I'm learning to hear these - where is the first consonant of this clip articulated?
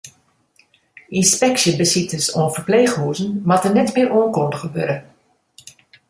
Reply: tongue tip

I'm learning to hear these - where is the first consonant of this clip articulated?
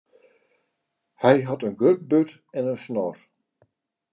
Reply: throat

